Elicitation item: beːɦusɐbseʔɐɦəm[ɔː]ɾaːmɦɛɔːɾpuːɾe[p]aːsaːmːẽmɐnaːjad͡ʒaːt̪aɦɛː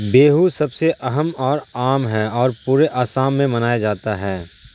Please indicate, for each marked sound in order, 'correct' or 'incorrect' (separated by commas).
correct, incorrect